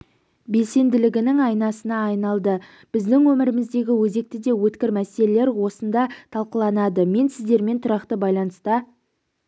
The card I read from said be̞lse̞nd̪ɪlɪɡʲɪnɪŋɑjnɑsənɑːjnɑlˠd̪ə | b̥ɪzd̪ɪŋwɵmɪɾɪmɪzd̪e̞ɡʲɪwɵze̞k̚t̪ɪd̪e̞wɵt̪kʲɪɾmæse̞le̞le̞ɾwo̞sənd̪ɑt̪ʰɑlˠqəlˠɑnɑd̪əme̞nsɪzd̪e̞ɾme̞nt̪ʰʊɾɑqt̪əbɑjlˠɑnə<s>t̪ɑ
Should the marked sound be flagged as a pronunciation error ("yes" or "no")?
no